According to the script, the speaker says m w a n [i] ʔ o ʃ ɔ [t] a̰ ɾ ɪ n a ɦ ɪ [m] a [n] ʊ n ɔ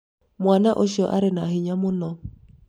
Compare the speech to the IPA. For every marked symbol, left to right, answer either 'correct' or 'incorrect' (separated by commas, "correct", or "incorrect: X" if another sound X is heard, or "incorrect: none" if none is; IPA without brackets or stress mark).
incorrect: a, incorrect: ʔ, incorrect: ɲ, incorrect: m